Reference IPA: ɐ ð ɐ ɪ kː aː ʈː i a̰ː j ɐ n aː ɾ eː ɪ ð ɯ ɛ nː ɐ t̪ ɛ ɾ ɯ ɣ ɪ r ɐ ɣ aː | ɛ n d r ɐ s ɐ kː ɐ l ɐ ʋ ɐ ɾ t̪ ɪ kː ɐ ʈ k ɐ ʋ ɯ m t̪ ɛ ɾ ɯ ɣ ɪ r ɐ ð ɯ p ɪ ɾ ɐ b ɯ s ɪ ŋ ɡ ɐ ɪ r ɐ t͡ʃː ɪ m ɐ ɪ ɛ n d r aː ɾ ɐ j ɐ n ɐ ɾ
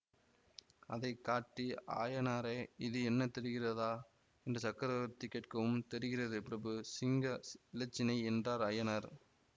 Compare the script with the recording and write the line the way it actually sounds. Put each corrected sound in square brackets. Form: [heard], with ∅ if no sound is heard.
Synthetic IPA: ɐ ð ɐ ɪ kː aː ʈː i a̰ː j ɐ n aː ɾ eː ɪ ð ɯ ɛ nː ɐ t̪ ɛ ɾ ɯ ɣ ɪ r ɐ [ð] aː | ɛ n d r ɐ s ɐ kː ɐ [ɾ] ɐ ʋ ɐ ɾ t̪ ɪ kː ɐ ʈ k ɐ ʋ ɯ m t̪ ɛ ɾ ɯ ɣ ɪ r ɐ ð ɯ p ɪ ɾ ɐ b ɯ s ɪ ŋ ɡ ɐ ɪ [l] ɐ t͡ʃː ɪ [n] ɐ ɪ ɛ n d r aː ɾ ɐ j ɐ n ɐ ɾ